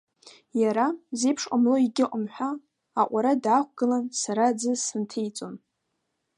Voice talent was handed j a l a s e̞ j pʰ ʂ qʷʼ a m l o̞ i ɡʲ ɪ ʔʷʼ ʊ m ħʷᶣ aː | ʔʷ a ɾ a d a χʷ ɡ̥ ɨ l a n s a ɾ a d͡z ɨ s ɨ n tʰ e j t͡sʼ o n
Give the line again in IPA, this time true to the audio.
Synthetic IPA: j a ɾ a z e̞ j pʰ ʂ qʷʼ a m l o̞ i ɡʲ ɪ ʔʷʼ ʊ m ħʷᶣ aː | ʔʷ a ɾ a d a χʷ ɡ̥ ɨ l a n s a ɾ a d͡z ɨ s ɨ n tʰ e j t͡sʼ o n

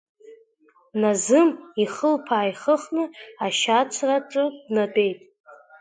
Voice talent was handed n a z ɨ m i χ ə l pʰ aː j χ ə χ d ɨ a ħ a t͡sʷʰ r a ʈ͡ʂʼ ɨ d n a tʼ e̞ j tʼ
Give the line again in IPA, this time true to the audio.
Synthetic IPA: n a z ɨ m i χ ə l pʰ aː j χ ə χ n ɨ a ʃ a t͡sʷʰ r a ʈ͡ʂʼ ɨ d n a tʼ e̞ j tʼ

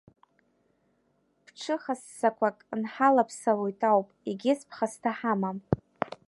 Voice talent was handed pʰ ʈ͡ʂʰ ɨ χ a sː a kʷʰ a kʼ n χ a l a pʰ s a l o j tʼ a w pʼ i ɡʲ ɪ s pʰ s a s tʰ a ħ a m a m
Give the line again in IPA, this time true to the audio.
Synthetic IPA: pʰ ʈ͡ʂʰ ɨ χ a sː a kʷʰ a kʼ n ħ a l a pʰ s a l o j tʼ a w pʼ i ɡʲ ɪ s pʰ χ a s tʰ a ħ a m a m

